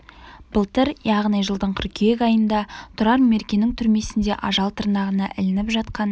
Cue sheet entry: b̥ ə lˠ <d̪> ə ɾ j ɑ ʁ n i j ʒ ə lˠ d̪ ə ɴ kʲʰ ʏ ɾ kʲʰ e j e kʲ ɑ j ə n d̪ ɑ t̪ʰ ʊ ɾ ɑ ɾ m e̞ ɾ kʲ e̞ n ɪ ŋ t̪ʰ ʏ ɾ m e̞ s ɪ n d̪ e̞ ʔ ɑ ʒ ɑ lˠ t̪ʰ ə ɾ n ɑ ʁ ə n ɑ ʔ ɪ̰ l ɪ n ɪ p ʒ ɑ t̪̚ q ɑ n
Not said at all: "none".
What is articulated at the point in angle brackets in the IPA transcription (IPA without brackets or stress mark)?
t̪